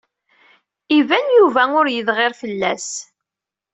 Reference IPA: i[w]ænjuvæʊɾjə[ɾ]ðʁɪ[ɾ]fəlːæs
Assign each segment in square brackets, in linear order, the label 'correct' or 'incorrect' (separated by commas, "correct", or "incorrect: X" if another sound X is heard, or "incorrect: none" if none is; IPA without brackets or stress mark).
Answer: incorrect: v, incorrect: none, correct